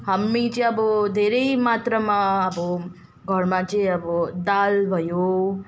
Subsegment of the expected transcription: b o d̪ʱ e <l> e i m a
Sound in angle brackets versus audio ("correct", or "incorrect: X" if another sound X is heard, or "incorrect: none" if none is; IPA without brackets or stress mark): incorrect: ɾ